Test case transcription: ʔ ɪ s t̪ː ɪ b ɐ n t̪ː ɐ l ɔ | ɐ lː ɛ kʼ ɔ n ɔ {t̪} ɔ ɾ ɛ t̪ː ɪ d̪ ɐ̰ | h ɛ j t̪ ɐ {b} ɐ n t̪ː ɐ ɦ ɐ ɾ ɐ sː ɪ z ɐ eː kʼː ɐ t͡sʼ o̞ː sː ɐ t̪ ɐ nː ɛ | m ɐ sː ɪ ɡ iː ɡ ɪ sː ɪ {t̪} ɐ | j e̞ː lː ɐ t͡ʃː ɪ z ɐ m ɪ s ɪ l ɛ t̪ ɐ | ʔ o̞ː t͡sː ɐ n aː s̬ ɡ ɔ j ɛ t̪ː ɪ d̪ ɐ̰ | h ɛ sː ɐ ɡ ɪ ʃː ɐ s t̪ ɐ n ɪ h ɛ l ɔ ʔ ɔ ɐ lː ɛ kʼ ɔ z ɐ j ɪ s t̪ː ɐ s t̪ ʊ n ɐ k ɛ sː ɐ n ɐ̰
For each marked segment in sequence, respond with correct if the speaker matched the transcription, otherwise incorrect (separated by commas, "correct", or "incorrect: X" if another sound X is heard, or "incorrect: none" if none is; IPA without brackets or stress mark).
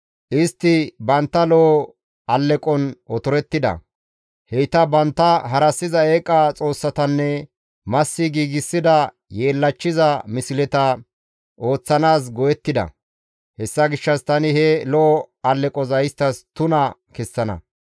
correct, correct, incorrect: d̪